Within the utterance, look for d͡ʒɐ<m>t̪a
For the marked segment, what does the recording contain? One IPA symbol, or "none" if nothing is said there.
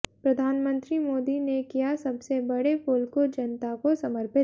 n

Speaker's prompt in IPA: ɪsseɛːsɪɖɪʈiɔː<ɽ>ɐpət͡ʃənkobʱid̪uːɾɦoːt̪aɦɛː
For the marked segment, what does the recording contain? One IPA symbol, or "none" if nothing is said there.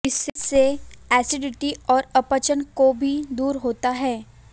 ɾ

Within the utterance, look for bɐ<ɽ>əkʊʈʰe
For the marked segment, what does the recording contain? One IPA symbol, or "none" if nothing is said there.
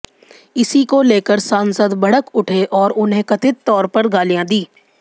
ɽ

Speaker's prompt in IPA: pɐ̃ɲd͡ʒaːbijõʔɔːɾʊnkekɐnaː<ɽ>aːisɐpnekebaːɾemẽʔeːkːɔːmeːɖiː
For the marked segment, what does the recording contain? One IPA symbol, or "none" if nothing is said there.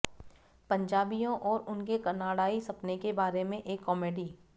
ɽ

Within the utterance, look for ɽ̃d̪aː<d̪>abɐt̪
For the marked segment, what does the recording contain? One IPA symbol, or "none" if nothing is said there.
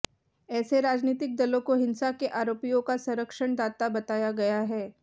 t̪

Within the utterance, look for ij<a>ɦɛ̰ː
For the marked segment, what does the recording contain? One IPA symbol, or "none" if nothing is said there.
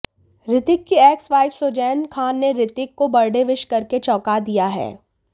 a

